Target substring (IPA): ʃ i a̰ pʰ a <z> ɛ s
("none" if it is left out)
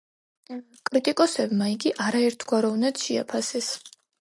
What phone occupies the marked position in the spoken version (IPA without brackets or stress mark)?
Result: s